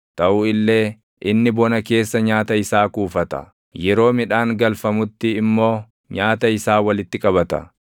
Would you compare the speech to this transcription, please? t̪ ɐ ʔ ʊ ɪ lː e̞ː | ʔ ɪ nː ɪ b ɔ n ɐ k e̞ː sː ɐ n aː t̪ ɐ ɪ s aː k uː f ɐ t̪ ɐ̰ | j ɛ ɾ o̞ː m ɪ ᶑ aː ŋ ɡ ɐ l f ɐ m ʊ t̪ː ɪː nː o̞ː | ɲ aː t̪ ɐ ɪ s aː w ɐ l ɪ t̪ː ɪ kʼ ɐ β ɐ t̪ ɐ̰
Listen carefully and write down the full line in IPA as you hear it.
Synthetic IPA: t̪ ɐ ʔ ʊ ɪ lː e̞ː | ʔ ɪ nː ɪ b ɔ n ɐ k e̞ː sː ɐ ɲ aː t̪ ɐ ɪ s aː k uː f ɐ t̪ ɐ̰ | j ɛ ɾ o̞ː m ɪ ᶑ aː ŋ ɡ ɐ l f ɐ m ʊ t̪ː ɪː mː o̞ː | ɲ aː t̪ ɐ ɪ s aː w ɐ l ɪ t̪ː ɪ kʼ ɐ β ɐ t̪ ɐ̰